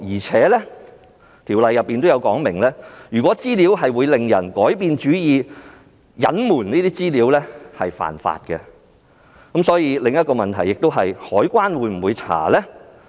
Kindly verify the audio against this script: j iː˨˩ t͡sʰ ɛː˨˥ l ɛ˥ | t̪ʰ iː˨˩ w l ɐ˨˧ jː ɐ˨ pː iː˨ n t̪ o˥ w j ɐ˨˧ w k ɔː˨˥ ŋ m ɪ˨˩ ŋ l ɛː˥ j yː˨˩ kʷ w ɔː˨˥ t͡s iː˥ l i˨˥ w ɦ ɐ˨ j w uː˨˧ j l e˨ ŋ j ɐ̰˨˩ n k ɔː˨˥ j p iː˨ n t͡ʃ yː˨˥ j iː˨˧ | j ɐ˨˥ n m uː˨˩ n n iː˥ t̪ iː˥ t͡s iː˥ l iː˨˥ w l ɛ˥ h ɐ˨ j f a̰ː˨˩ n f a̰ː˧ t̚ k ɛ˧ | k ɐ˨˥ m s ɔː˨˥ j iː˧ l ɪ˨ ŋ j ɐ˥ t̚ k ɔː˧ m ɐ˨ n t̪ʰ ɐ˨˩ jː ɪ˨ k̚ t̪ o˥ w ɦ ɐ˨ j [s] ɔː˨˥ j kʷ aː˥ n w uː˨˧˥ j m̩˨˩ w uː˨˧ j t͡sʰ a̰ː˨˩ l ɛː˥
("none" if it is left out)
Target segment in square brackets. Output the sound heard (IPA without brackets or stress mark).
h